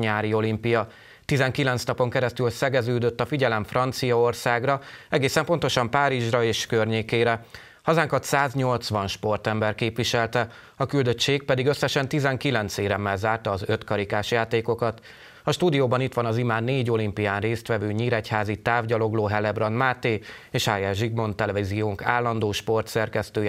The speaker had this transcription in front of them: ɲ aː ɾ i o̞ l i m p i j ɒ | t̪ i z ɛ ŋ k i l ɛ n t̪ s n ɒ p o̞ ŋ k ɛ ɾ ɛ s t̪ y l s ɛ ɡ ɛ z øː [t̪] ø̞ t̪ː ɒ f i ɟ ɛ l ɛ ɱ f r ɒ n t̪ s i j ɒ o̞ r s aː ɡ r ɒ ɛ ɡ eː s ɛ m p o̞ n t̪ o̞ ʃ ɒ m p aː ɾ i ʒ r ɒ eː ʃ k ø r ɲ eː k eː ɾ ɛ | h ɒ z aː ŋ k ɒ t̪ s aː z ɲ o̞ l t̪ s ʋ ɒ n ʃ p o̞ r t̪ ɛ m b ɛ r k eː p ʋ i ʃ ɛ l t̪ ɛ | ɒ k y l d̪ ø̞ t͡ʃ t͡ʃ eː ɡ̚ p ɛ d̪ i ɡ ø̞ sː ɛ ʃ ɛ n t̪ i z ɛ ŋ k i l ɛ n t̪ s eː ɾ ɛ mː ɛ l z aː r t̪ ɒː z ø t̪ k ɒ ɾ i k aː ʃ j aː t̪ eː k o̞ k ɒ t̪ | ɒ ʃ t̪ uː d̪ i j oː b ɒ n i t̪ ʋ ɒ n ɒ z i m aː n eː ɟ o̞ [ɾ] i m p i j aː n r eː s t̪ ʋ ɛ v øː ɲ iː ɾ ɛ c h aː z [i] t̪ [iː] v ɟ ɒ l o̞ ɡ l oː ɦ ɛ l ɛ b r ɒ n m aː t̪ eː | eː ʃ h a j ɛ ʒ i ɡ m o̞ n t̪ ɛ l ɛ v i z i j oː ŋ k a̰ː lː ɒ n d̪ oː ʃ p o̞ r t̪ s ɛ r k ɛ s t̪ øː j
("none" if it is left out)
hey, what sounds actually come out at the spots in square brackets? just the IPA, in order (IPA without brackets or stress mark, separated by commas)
d̪, l, i, aː